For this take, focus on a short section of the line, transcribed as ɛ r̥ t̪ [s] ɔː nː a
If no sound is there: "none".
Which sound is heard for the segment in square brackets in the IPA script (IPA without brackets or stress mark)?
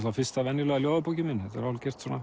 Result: s